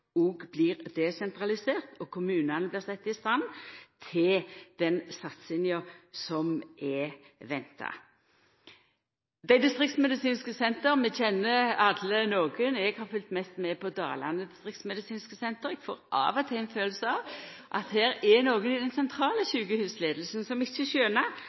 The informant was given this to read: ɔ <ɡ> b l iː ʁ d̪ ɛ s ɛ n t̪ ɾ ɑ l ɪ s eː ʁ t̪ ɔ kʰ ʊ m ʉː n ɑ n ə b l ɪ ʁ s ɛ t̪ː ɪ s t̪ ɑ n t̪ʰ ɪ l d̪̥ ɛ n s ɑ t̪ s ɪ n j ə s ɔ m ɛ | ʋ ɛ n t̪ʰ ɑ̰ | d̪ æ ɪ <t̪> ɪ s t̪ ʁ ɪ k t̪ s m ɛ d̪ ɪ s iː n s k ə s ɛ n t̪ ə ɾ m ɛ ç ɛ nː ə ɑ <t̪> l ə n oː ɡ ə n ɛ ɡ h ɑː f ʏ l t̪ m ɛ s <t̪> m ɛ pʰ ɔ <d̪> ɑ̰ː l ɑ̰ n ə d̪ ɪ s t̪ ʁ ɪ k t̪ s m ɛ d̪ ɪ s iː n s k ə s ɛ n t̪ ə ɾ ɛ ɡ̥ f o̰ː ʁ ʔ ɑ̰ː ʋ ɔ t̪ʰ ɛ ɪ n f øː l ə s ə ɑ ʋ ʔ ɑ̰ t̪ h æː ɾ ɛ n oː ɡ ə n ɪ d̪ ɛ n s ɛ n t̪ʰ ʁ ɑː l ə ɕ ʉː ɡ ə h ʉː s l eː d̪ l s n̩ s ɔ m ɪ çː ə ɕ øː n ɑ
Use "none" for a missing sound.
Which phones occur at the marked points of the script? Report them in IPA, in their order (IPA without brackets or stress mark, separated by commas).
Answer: ɡ, d̪, d̪, t̪, d̪